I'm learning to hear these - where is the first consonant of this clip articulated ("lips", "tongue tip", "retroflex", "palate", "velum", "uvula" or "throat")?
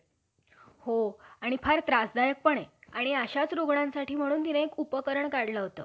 throat